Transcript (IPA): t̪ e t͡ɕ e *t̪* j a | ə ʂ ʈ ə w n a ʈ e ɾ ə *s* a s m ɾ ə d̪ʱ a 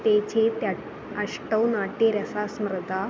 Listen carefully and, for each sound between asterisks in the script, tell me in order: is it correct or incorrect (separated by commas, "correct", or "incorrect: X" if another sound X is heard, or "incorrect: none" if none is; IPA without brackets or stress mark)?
correct, correct